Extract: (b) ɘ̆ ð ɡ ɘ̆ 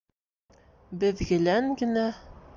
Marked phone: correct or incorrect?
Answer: correct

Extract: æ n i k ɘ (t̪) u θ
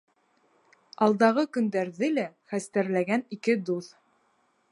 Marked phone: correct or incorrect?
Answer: incorrect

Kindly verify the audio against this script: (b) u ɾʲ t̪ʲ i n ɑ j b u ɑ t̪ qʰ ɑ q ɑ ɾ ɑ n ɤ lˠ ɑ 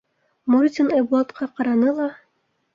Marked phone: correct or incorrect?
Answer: incorrect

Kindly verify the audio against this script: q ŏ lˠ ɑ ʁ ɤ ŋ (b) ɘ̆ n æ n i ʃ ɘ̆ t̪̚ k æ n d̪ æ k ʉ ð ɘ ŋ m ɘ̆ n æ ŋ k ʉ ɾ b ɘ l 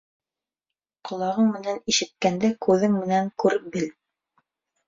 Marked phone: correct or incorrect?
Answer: incorrect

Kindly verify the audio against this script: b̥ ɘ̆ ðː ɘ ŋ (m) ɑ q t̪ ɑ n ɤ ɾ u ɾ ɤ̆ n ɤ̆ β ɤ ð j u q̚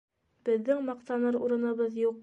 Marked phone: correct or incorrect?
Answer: correct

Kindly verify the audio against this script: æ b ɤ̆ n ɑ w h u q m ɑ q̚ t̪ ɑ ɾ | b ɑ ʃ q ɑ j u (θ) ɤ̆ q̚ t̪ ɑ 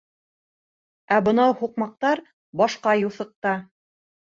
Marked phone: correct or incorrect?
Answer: correct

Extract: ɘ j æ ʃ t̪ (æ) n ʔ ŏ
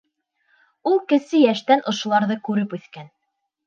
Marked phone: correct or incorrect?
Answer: correct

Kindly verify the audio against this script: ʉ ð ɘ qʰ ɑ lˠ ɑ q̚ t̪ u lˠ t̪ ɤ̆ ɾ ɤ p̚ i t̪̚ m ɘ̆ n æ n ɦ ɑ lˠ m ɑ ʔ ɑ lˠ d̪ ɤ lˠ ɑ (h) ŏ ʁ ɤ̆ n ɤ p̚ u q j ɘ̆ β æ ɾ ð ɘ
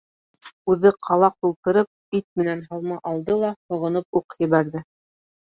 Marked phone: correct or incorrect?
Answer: correct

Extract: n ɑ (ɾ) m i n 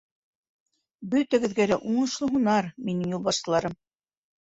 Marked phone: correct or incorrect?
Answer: correct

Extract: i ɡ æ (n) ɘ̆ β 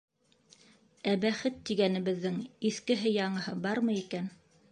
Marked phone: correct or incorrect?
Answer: correct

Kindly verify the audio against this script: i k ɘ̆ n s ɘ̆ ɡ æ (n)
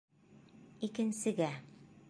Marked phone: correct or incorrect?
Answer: incorrect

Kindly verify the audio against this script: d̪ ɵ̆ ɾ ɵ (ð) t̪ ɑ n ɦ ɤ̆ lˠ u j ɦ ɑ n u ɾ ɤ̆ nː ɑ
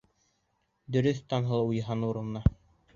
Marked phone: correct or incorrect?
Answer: incorrect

